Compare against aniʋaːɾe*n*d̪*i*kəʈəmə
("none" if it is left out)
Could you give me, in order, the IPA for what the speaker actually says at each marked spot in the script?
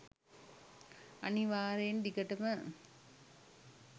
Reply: n, i

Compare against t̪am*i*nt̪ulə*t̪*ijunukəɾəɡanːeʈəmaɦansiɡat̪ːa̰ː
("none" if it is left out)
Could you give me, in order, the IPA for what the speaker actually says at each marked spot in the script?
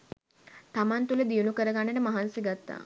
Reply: a, d̪

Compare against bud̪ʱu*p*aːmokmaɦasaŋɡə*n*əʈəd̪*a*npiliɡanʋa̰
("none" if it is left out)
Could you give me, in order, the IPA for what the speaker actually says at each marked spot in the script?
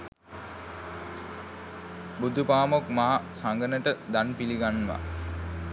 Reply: p, n, a

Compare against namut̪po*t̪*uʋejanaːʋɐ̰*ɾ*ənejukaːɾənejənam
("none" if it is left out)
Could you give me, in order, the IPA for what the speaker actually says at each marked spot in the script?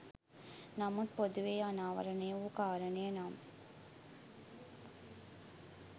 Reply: d̪, ɾ

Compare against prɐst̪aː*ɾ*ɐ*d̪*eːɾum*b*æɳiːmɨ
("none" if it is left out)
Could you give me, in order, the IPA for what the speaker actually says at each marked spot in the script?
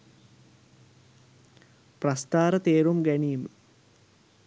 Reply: ɾ, t̪, ɡ

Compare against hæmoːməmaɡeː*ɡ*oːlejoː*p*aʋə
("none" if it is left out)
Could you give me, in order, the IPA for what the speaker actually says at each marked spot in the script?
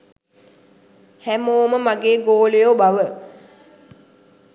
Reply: ɡ, b

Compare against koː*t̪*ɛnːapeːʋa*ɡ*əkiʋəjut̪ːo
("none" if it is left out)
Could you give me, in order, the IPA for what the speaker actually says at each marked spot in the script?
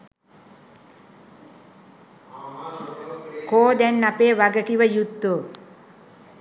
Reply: d̪, ɡ

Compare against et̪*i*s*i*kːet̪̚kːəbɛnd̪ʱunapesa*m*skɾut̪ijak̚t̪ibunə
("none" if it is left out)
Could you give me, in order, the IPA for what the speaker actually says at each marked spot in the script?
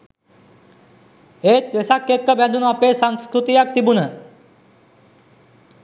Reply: e, a, ŋ

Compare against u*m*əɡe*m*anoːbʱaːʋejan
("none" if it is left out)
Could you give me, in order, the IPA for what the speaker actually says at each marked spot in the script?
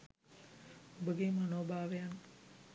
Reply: b, m

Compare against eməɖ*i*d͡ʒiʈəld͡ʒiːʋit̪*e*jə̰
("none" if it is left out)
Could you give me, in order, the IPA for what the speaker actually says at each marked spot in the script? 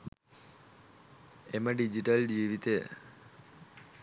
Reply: i, e

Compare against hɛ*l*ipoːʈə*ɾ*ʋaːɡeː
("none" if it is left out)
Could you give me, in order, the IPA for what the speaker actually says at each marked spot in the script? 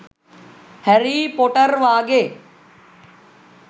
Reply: ɾ, ɾ

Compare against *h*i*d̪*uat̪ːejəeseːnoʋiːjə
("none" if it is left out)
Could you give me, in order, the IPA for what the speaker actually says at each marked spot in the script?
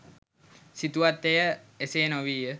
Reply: s, t̪

